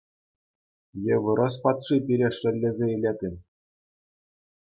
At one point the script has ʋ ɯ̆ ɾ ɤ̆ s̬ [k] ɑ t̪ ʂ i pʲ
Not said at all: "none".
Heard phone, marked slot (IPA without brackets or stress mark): p